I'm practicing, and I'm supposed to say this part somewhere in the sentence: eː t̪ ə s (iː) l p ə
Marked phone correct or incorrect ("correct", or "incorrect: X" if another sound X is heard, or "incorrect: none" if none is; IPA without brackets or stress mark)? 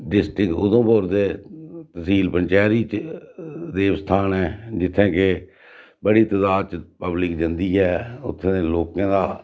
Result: correct